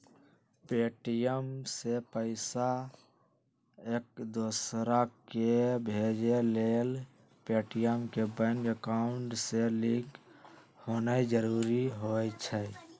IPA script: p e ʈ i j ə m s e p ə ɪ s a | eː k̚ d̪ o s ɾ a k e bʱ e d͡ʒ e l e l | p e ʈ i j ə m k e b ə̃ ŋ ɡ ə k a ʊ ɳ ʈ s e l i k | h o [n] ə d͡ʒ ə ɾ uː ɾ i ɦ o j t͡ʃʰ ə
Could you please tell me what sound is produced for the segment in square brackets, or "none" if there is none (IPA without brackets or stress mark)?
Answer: n